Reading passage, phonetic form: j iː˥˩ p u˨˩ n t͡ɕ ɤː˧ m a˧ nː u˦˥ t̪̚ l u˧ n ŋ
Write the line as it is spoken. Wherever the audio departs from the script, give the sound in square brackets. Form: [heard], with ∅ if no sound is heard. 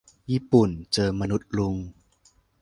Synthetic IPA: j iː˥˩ p u˨˩ n t͡ɕ ɤː˧ m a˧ [n] u˦˥ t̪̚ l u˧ [∅] ŋ